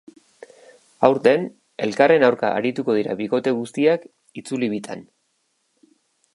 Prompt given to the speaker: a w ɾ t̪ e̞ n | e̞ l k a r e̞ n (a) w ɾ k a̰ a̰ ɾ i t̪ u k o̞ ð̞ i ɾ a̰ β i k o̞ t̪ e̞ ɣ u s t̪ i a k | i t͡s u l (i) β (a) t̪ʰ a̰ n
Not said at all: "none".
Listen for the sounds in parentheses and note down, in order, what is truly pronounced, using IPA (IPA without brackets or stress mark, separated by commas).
a, i, i